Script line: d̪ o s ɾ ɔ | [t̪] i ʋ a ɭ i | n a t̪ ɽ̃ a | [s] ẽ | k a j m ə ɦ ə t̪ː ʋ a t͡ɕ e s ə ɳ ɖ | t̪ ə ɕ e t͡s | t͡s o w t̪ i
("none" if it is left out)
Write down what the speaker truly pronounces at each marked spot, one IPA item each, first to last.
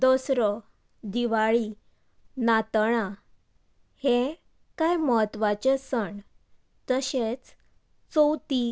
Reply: d̪, h

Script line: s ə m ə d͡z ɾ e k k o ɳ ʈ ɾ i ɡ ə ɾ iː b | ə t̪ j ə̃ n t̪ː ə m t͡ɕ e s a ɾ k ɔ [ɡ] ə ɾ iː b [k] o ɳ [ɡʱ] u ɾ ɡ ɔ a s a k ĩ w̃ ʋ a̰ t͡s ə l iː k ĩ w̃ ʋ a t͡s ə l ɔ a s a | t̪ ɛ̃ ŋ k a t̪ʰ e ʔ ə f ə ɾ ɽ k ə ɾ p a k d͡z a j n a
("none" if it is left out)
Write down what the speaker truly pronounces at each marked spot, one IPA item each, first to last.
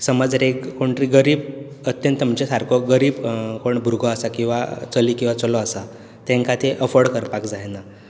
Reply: ɡ, k, bʱ

